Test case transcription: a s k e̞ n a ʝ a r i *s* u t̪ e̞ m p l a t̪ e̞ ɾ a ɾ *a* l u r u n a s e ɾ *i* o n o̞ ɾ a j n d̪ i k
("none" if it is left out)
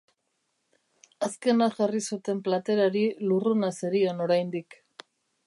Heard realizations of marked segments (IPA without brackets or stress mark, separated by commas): s, i, i